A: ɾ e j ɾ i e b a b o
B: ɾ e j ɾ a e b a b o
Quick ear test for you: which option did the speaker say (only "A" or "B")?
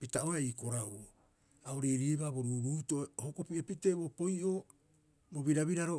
A